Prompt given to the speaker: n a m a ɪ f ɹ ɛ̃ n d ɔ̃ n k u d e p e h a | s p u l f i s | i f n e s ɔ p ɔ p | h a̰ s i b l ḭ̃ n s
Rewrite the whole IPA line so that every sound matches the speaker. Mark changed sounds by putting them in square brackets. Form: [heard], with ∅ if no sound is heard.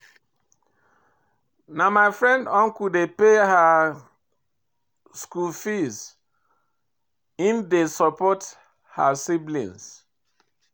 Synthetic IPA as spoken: n a m a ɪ f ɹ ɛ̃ n d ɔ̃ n k u d e p e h a | s [k] u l f i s | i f [d] e s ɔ p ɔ [t] | h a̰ s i b l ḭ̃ n s